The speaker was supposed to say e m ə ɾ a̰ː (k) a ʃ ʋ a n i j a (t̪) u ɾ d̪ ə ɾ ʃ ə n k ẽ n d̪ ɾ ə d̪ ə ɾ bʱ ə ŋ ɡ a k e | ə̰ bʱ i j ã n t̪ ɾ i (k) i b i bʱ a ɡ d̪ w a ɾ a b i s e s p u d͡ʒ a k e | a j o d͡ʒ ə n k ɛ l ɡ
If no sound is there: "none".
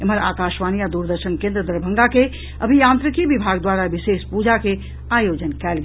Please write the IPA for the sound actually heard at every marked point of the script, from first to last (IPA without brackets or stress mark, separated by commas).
k, d̪, k